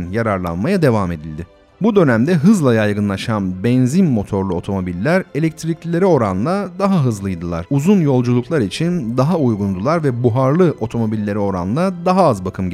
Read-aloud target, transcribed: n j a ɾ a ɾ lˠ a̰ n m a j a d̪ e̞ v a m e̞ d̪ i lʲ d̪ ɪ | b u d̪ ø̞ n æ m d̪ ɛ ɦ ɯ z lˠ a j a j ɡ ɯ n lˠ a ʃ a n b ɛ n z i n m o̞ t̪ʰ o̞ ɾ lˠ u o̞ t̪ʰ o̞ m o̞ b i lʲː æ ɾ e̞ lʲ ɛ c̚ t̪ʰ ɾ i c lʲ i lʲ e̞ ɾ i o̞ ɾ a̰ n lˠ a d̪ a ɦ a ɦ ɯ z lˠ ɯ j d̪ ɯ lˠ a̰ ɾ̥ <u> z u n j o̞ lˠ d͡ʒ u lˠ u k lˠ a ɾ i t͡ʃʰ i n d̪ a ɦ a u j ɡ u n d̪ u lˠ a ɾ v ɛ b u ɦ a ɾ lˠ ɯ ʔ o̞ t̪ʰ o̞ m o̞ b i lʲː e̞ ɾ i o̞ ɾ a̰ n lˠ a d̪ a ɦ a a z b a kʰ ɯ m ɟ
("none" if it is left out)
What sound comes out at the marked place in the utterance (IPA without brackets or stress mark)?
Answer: u